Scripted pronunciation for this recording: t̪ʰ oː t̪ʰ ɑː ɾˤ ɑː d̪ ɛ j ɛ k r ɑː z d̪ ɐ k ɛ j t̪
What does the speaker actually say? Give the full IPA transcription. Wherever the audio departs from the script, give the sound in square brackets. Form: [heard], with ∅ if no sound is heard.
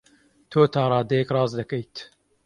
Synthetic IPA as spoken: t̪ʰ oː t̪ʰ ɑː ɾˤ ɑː d̪ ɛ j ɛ k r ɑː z d̪ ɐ k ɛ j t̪